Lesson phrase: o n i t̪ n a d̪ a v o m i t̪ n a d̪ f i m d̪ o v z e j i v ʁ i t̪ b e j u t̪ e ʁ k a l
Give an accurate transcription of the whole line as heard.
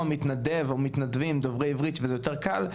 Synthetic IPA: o m i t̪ n a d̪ e v o m i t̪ n a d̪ v i m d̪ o v ʁ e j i v ʁ i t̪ v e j o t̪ e ʁ k a l